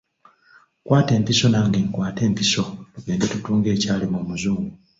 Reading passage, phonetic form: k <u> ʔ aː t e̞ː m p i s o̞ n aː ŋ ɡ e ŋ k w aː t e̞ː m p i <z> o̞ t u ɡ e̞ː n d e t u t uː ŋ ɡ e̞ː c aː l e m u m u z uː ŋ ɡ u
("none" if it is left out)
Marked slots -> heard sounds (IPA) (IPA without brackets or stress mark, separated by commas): w, s